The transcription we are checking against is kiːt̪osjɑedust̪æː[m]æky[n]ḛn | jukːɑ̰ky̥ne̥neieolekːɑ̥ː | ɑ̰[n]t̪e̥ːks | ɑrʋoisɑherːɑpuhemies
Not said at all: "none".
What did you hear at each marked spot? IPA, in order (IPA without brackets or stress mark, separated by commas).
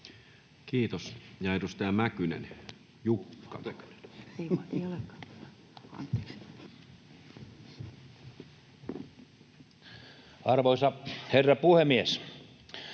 m, n, n